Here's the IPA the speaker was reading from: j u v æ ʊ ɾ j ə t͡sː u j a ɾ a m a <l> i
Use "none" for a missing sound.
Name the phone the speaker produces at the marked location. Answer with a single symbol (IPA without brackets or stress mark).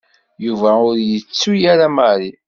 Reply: ɾ